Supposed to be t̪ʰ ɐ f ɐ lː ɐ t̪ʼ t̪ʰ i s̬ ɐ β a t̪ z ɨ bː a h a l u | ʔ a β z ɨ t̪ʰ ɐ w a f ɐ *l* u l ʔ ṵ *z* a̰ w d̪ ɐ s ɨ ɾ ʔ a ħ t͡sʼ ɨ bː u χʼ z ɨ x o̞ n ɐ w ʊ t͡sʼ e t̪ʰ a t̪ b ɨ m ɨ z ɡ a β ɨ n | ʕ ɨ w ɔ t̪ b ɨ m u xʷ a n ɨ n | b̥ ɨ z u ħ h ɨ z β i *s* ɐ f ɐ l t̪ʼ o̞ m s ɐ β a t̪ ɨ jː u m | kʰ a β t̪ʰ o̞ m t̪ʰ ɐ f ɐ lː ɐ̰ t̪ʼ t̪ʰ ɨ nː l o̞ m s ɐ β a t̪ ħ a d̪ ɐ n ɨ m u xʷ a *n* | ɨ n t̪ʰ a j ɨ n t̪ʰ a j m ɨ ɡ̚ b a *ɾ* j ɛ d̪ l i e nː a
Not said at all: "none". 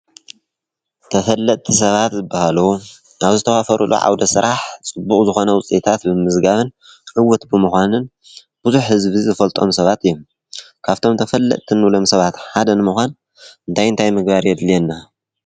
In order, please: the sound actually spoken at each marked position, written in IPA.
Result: ɾ, ʕ, z, n, ɾ

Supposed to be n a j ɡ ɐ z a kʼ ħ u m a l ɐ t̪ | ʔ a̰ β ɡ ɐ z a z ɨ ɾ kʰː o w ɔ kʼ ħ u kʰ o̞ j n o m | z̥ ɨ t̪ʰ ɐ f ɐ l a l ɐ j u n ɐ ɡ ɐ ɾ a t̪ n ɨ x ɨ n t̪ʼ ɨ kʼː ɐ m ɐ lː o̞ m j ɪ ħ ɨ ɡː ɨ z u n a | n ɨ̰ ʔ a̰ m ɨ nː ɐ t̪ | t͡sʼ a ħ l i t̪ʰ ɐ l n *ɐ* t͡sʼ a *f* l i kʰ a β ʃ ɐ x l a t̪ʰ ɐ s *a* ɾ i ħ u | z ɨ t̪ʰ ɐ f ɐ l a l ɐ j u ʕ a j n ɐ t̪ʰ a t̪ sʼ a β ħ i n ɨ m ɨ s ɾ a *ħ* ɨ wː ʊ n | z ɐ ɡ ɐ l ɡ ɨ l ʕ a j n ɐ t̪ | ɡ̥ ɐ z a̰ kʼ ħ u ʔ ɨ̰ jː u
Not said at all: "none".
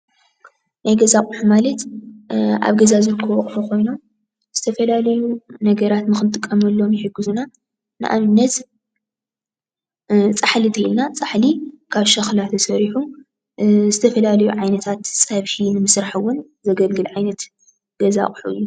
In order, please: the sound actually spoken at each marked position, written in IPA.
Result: a, ħ, ɐ, ħ

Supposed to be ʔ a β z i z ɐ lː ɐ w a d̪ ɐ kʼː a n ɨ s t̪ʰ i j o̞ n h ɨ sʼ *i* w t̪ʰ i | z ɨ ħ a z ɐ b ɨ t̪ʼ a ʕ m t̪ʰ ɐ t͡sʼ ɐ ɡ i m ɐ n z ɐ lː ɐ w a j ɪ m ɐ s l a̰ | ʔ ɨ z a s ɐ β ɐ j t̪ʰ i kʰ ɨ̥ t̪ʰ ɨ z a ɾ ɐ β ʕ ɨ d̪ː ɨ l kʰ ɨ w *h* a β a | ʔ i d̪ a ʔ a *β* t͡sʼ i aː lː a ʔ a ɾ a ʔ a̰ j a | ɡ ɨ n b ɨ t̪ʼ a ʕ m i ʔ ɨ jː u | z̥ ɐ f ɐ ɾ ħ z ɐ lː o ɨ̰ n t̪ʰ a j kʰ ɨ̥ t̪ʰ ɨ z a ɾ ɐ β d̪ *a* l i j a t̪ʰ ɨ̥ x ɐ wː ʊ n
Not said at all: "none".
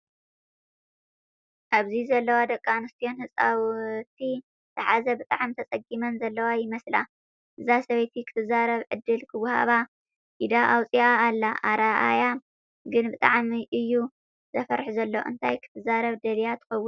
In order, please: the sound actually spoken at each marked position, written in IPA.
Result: a, h, w, ɐ

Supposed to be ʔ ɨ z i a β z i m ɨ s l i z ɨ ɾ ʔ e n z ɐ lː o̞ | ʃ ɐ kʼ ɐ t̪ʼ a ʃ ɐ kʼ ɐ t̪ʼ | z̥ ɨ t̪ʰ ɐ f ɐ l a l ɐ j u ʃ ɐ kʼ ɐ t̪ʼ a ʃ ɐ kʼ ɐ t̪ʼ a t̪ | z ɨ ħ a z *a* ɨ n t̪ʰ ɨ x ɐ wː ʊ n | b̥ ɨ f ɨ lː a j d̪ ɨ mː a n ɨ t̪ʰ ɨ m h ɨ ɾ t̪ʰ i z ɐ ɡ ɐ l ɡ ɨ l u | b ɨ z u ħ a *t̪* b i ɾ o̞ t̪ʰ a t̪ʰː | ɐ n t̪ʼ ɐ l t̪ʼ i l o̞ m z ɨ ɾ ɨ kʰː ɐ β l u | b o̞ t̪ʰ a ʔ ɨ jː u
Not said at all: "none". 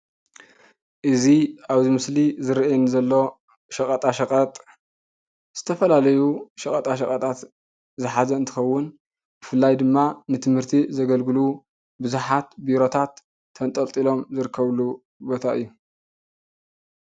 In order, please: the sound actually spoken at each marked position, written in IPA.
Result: ɐ, t̪

